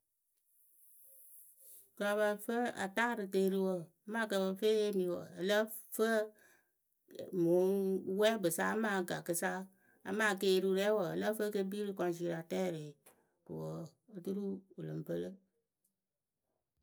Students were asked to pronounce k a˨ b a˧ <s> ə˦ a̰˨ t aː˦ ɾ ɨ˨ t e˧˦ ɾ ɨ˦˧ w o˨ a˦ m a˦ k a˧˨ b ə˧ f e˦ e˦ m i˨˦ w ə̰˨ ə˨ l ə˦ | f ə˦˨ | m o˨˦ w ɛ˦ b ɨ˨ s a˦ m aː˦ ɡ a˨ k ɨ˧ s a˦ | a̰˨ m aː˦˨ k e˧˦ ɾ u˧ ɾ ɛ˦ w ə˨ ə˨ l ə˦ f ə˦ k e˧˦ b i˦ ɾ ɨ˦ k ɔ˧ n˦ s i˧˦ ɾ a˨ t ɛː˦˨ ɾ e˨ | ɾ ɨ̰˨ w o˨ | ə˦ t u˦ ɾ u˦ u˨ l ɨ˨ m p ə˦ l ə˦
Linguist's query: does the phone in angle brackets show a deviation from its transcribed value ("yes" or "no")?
yes